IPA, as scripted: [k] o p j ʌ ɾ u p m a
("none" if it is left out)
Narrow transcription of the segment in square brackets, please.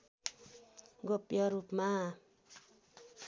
ɡ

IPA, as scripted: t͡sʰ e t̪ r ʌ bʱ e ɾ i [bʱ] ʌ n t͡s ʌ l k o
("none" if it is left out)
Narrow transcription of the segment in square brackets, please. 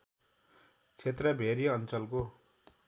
none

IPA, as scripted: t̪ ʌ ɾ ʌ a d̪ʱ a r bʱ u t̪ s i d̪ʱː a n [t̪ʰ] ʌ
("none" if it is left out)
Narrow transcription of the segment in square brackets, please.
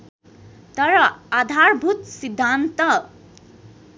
t̪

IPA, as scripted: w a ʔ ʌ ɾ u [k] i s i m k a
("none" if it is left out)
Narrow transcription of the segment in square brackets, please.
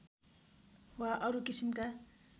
k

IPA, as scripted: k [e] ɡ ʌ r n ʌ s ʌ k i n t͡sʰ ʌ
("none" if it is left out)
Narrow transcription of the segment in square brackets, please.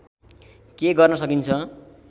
e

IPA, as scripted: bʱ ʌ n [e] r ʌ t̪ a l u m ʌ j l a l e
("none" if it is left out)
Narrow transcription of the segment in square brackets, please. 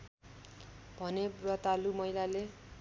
e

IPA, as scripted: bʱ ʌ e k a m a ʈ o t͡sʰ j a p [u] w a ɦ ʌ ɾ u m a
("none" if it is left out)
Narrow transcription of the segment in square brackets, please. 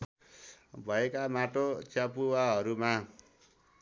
u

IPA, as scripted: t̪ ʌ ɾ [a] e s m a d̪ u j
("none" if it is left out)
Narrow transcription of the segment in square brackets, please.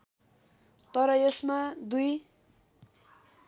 ʌ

